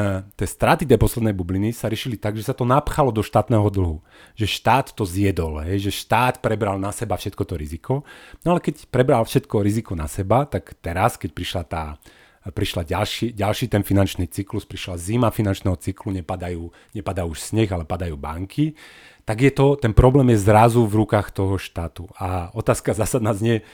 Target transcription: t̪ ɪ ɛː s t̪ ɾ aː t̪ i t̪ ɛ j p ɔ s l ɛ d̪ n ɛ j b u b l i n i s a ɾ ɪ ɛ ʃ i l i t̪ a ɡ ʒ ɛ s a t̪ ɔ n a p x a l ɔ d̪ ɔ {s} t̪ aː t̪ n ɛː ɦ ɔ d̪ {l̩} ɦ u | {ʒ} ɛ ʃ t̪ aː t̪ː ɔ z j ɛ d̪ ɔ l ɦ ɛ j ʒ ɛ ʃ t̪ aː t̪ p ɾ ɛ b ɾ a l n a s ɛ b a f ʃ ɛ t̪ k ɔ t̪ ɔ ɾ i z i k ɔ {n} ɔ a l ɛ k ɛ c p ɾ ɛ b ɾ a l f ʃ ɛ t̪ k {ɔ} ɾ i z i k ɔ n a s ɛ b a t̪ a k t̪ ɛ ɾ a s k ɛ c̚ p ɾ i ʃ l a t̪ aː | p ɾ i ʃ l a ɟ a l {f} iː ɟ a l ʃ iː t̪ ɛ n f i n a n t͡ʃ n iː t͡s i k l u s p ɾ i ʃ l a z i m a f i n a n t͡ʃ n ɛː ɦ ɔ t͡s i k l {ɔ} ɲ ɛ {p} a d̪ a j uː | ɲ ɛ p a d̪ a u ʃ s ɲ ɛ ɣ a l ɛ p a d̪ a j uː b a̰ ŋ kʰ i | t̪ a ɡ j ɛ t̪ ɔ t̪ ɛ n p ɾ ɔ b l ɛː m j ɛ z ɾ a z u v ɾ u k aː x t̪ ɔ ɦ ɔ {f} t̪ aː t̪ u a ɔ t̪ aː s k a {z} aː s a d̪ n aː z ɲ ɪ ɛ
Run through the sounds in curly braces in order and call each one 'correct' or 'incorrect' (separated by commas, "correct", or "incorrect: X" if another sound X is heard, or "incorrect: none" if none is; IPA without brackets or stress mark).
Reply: incorrect: ʃ, correct, correct, correct, correct, incorrect: ʃ, incorrect: u, correct, incorrect: ʃ, correct